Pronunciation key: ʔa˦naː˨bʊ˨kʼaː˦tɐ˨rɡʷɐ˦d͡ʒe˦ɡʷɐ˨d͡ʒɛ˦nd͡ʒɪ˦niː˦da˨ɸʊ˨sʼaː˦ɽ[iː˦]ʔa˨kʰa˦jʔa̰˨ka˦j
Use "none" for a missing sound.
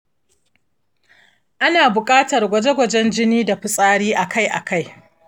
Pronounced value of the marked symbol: iː˦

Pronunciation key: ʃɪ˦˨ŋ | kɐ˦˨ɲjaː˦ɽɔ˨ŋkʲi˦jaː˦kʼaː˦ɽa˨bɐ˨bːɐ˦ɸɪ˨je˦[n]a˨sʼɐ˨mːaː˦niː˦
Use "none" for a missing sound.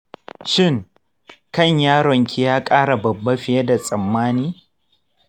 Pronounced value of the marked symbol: d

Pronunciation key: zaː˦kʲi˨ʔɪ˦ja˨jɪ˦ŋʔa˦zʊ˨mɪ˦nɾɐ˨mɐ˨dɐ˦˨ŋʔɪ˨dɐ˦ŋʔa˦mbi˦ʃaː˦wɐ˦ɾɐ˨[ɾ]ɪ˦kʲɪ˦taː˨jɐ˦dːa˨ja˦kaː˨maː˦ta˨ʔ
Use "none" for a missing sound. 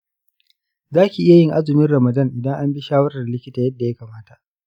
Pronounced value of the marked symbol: l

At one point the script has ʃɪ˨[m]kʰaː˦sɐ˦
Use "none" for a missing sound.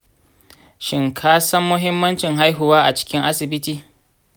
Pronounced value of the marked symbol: ŋ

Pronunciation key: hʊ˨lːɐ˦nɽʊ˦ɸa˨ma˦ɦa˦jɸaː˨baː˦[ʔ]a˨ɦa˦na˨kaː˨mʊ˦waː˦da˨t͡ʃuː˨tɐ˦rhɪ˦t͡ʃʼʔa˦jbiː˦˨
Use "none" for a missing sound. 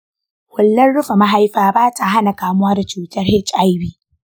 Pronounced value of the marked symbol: t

